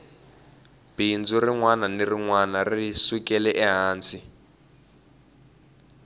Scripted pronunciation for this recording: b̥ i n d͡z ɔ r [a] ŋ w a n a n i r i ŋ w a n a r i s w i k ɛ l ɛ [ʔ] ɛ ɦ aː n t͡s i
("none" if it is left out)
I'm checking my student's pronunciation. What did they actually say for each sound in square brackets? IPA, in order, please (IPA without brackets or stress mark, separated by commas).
i, ʔ